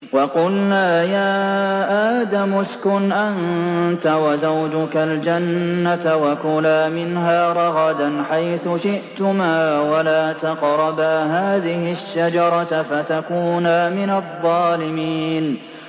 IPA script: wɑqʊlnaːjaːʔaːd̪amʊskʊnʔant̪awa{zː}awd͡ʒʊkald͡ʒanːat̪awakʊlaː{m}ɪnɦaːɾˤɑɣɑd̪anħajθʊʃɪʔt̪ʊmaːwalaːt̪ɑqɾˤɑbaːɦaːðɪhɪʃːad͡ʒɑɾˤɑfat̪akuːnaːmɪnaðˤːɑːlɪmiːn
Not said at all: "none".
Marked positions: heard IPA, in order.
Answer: z, m

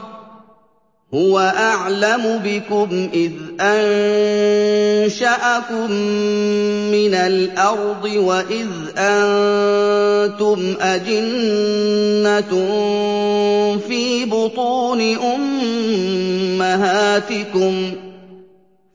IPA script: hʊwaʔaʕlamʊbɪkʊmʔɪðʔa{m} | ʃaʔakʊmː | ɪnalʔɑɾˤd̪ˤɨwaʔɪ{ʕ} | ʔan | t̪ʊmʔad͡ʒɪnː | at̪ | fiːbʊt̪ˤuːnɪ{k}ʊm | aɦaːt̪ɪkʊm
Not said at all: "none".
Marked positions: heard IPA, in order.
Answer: n, ð, ʔ

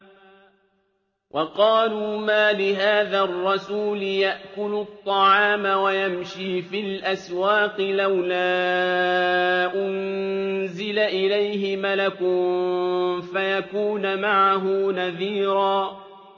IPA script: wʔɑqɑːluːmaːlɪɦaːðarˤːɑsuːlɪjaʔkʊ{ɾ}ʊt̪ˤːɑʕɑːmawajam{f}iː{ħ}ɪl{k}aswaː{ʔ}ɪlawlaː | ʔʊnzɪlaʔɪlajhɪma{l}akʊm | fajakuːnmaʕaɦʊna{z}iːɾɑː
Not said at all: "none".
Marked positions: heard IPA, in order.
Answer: l, ʃ, f, ʔ, q, l, ð

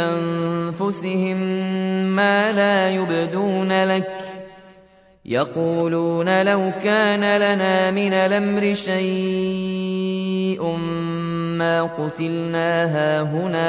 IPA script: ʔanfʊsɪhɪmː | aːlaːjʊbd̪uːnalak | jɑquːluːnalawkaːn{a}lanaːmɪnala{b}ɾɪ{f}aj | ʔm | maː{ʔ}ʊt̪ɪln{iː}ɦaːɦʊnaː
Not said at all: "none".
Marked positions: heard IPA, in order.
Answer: a, m, ʃ, q, aː

